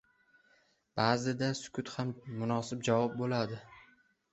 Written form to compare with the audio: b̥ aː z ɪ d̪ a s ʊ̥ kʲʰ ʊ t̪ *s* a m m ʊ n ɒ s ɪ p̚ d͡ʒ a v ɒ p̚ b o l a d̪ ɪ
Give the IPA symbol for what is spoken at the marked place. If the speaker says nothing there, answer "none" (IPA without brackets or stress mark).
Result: h